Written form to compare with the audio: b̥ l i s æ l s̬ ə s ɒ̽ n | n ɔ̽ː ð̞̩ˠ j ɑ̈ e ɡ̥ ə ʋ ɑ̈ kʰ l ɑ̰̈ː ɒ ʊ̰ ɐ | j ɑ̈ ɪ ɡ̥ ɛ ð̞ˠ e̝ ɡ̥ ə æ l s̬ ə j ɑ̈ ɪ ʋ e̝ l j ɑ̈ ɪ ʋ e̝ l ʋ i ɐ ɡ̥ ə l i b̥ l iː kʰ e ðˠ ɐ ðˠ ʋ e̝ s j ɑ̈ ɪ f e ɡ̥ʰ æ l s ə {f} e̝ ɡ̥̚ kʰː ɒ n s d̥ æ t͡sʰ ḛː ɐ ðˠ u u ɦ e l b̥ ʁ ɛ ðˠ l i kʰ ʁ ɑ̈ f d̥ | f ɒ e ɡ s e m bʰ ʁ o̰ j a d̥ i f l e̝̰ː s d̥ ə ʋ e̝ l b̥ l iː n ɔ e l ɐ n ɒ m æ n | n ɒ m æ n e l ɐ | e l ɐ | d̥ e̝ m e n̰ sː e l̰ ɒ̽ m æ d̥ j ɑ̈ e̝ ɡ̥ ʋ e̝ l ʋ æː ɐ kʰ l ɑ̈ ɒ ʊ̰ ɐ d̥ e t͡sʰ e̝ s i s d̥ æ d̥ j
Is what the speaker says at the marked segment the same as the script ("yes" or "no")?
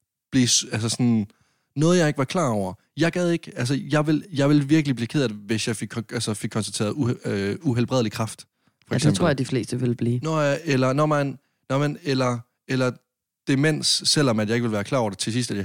yes